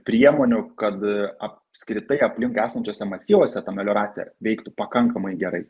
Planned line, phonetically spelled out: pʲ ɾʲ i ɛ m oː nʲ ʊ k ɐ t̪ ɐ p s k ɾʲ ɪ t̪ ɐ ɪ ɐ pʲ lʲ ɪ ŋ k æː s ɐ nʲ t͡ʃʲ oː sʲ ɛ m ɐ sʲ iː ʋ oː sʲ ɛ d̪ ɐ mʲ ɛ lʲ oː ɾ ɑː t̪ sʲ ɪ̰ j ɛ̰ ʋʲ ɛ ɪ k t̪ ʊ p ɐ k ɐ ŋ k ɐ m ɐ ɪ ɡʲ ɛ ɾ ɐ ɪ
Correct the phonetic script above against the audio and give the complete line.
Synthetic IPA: pʲ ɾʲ i ɛ m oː nʲ ʊ k ɐ t̪ ɐ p s k ɾʲ ɪ t̪ ɐ ɪ ɐ pʲ lʲ ɪ ŋ k æː s ɐ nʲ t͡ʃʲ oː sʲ ɛ m ɐ sʲ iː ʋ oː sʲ ɛ t̪ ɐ mʲ ɛ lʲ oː ɾ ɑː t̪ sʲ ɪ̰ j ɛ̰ ʋʲ ɛ ɪ k t̪ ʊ p ɐ k ɐ ŋ k ɐ m ɐ ɪ ɡʲ ɛ ɾ ɐ ɪ